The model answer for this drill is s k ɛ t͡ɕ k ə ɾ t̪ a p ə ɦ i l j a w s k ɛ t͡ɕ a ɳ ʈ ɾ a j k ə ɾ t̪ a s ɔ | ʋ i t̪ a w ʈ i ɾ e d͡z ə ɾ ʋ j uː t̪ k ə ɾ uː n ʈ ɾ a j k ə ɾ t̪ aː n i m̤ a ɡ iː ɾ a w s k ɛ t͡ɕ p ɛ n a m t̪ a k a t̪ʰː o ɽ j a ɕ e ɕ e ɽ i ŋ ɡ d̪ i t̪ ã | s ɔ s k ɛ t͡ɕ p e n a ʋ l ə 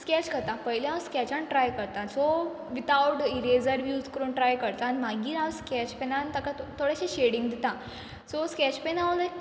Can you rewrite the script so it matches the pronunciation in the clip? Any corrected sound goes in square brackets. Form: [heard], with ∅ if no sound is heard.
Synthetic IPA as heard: s k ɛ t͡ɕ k ə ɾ t̪ a p ə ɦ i l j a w s k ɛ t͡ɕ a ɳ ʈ ɾ a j k ə ɾ t̪ a s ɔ | ʋ i t̪ a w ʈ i ɾ e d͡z ə ɾ ʋ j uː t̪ k ə ɾ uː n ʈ ɾ a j k ə ɾ t̪ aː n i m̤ a ɡ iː ɾ a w s k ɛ t͡ɕ p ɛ n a [n] t̪ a k a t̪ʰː o ɽ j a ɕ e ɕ e ɽ i ŋ ɡ d̪ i t̪ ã | s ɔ s k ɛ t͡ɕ p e n a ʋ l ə